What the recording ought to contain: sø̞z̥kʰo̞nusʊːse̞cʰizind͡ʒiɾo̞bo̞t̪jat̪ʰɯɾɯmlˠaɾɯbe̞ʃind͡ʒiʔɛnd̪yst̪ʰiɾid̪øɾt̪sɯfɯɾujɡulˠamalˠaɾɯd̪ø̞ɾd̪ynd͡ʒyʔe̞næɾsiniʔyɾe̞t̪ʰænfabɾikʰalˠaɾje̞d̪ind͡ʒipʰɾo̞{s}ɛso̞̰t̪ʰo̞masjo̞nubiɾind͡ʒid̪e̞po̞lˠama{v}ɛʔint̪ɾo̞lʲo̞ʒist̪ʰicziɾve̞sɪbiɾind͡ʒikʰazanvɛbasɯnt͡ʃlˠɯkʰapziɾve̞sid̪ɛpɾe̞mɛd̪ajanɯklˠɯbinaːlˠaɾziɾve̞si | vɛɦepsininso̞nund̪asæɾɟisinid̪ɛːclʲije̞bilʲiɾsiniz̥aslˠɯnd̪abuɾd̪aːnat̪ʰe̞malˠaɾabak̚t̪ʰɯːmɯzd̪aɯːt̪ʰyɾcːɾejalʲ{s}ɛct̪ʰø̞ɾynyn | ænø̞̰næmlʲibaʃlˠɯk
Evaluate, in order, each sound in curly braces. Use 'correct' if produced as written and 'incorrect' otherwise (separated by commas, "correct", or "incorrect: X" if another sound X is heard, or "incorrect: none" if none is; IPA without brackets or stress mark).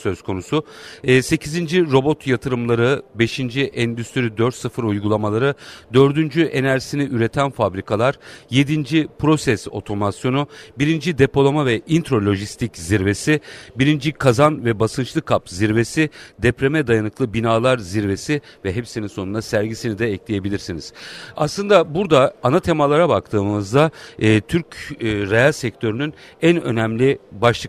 correct, correct, correct